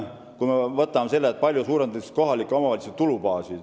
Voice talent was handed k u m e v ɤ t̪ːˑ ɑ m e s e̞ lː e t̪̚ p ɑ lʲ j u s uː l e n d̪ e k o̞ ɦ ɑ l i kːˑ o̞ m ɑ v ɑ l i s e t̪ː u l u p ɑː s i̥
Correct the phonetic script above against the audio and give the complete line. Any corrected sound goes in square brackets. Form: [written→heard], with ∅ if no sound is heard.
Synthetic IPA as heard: k u m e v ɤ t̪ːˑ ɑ m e s e̞ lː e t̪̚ p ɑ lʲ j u s uː [l→ɾ] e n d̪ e k o̞ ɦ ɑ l i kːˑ o̞ m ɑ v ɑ l i s e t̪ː u l u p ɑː s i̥